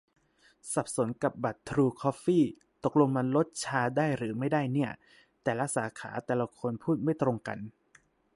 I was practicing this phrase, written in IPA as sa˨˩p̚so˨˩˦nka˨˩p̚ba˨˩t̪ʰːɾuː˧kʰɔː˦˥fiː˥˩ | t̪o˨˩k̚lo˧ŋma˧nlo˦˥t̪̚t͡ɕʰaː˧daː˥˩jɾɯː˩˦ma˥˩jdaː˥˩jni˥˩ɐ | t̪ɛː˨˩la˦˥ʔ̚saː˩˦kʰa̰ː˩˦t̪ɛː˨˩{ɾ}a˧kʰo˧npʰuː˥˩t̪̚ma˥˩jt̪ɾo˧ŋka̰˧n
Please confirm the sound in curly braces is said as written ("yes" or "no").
no